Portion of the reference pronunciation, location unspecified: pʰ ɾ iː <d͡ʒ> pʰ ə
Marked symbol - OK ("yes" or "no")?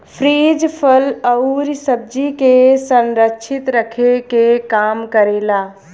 yes